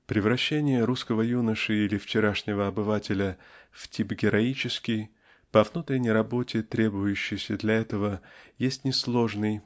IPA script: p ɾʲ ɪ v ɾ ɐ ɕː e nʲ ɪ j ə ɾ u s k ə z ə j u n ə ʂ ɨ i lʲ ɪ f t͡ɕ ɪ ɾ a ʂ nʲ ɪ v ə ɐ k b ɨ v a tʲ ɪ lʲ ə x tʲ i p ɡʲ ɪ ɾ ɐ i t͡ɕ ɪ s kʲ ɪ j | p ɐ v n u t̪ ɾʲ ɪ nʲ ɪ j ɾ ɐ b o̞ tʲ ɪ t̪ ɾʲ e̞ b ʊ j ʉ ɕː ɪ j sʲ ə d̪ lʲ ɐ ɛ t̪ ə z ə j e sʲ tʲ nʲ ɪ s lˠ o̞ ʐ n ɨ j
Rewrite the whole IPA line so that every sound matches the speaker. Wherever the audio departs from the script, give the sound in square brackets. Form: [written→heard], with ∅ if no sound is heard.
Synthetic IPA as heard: p ɾʲ ɪ v ɾ ɐ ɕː e nʲ ɪ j ə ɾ u s k ə [z→v] ə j u n ə ʂ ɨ i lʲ ɪ f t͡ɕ ɪ ɾ a ʂ nʲ ɪ v ə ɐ [k→∅] b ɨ v a tʲ ɪ lʲ ə [x→f] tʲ i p ɡʲ ɪ ɾ ɐ i t͡ɕ ɪ s kʲ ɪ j | p ɐ v n u t̪ ɾʲ ɪ nʲ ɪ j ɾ ɐ b o̞ tʲ ɪ t̪ ɾʲ e̞ b ʊ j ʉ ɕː ɪ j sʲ ə d̪ lʲ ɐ ɛ t̪ ə [z→v] ə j e sʲ tʲ nʲ ɪ s lˠ o̞ ʐ n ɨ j